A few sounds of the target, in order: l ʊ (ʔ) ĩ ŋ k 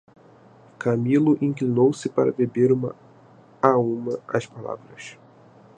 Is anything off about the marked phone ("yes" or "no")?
no